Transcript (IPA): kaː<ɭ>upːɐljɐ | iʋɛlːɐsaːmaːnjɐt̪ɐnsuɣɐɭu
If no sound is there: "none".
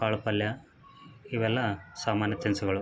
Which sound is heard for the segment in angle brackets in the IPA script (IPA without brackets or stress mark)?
ɭ